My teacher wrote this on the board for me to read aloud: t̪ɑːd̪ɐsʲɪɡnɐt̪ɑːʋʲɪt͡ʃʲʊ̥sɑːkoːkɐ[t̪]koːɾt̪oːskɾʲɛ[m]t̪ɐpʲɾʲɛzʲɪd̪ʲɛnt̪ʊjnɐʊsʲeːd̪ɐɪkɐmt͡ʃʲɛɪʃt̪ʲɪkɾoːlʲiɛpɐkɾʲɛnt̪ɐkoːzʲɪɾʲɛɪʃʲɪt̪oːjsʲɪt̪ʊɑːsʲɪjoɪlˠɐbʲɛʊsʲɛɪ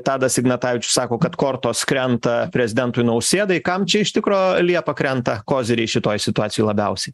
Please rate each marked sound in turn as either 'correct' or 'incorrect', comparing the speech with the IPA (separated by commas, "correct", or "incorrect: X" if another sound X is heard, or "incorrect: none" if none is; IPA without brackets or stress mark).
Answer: correct, incorrect: n